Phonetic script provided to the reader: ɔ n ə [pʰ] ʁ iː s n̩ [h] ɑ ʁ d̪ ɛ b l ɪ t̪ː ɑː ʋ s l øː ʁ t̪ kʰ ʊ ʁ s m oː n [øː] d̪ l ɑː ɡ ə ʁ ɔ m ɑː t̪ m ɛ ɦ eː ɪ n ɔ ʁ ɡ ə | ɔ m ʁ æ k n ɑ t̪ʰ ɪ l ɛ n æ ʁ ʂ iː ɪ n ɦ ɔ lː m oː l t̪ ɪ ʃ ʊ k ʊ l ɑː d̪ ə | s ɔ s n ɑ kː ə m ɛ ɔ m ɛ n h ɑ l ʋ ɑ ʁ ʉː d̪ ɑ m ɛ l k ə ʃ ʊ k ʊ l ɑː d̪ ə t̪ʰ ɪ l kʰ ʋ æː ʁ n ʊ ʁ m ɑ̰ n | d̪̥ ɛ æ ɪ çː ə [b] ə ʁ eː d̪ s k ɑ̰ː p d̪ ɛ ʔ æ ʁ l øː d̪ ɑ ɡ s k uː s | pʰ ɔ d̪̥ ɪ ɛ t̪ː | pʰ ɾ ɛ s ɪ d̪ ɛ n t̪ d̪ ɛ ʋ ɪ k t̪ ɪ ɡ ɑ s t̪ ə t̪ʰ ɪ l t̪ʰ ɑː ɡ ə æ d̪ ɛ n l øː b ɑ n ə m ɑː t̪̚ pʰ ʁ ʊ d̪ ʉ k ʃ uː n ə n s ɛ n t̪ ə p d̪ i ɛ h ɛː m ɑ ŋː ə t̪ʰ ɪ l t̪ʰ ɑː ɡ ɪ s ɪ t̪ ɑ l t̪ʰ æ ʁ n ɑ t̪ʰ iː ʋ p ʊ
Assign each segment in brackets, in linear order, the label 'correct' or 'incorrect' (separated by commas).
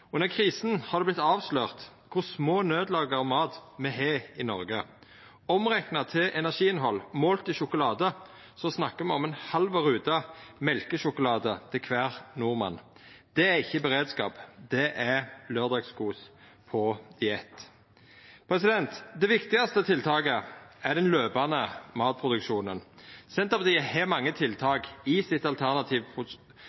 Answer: incorrect, correct, correct, correct